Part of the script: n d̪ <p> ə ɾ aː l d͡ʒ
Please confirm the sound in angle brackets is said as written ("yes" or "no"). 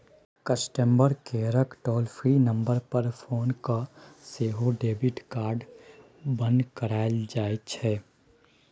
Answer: no